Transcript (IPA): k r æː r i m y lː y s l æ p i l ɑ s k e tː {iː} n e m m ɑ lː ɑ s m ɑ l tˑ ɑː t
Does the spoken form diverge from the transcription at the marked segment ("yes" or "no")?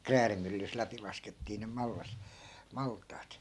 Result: no